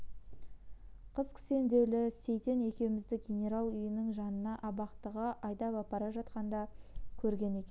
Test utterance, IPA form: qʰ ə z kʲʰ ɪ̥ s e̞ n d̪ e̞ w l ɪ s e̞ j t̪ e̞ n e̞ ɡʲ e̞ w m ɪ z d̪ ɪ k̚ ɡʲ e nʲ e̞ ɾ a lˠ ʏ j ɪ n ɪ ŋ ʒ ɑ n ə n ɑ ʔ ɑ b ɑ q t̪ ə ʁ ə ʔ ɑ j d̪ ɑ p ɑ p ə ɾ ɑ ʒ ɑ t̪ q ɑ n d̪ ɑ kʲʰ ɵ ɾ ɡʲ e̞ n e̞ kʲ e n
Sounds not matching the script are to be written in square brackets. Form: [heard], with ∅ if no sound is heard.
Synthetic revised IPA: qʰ ə z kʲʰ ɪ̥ s e̞ n d̪ e̞ w l ɪ s e̞ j t̪ e̞ n e̞ [kʲ] e̞ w m ɪ z d̪ ɪ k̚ ɡʲ e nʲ e̞ ɾ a lˠ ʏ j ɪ n ɪ ŋ ʒ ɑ n ə n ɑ ʔ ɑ b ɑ q t̪ ə ʁ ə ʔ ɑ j d̪ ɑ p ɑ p [ɑ] ɾ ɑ ʒ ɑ t̪ q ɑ n d̪ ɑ kʲʰ ɵ ɾ ɡʲ e̞ n e̞ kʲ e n

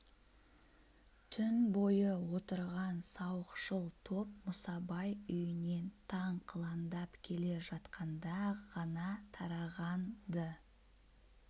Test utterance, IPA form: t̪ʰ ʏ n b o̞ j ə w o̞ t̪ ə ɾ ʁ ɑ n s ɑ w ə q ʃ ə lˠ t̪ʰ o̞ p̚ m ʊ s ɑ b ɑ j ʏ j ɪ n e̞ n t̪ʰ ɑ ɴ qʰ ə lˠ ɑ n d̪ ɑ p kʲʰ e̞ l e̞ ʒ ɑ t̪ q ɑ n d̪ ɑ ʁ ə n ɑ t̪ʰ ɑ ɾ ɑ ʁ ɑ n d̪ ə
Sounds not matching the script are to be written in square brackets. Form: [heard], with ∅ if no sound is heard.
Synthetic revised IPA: t̪ʰ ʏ n b o̞ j ə w o̞ t̪ ə ɾ ʁ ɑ n s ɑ w ə q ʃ ə lˠ t̪ʰ o̞ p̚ m ʊ s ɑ b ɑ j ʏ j ɪ n e̞ n t̪ʰ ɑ ɴ qʰ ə lˠ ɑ n d̪ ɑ p kʲʰ e̞ l e̞ ʒ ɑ t̪ q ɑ n d̪ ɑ ʁ [ɑ] n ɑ t̪ʰ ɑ ɾ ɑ ʁ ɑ n d̪ ə

